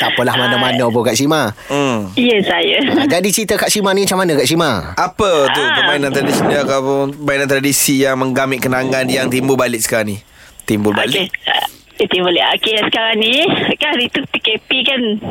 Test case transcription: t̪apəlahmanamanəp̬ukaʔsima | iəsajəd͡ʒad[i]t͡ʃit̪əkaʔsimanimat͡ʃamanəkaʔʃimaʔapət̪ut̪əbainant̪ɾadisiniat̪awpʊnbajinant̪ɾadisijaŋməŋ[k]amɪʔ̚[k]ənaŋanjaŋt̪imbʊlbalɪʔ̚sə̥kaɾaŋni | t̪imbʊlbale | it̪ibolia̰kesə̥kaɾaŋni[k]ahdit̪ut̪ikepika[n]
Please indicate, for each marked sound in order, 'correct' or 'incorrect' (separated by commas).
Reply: correct, incorrect, correct, correct, correct